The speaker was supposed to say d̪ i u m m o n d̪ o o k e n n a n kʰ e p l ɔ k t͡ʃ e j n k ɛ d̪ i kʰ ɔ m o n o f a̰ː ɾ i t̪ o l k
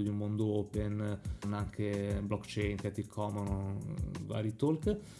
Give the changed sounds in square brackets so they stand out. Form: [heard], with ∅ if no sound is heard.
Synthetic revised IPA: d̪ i u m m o n d̪ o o [p] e n n a [ŋ] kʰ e [b] l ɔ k t͡ʃ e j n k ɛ [t̪] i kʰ ɔ m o n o [v] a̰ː ɾ i t̪ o l k